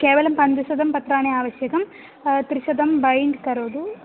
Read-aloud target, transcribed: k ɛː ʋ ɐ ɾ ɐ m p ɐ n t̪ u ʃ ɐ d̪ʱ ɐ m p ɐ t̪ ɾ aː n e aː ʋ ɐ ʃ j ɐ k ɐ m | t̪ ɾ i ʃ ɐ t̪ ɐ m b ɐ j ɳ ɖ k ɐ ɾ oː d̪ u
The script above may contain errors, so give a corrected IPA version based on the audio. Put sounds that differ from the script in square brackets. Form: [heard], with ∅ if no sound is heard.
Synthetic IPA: k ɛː ʋ ɐ [l] ɐ m p ɐ n [d̪] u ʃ ɐ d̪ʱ ɐ m p ɐ t̪ ɾ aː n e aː ʋ ɐ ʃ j ɐ k ɐ m | t̪ ɾ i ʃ ɐ [d̪] ɐ m b ɐ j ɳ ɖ k ɐ ɾ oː d̪ u